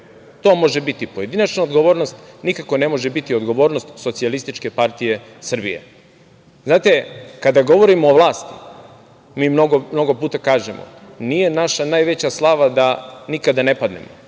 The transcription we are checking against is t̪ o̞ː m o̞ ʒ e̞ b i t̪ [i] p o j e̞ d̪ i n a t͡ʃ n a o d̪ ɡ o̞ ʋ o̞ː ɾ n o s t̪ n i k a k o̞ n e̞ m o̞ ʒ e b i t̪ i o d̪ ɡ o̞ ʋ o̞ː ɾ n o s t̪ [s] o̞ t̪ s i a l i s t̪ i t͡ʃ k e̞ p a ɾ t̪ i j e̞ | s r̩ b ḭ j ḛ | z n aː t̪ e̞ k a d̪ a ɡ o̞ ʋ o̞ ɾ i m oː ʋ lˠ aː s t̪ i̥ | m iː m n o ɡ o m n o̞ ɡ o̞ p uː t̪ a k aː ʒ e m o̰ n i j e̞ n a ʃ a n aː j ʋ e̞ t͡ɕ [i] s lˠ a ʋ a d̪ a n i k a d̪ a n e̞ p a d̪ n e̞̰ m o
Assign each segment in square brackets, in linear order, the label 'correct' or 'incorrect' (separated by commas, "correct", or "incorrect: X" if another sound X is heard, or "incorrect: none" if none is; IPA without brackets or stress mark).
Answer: correct, correct, incorrect: a